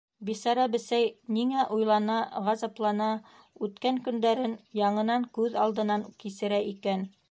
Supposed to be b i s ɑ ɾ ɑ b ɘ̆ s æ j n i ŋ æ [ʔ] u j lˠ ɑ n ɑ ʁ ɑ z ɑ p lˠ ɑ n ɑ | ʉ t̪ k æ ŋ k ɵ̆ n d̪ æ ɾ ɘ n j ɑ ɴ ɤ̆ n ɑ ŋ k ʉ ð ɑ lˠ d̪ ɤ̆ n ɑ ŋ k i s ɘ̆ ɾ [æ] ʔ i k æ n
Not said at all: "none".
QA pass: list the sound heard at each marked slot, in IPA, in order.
ʔ, æ

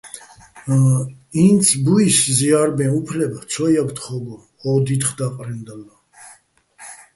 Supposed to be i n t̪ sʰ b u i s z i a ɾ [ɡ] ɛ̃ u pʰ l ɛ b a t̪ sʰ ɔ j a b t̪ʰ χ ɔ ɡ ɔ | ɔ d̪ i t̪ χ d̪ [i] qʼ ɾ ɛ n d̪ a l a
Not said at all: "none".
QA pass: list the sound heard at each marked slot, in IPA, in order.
b, a

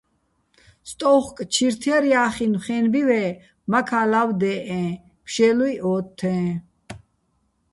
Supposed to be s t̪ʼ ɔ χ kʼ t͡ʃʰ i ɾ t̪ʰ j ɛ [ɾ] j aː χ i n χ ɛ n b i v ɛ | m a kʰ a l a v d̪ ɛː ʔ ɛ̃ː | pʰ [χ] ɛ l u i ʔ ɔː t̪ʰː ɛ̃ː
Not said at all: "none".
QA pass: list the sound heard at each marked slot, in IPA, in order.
ɾ, ʃ

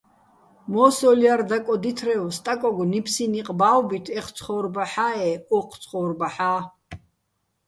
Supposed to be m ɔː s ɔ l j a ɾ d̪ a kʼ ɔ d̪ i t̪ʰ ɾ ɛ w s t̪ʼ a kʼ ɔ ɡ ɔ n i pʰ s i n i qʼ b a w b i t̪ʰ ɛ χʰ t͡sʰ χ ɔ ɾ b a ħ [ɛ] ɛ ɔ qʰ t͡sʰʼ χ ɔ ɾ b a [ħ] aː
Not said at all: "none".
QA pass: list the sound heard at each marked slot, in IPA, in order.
a, ħ

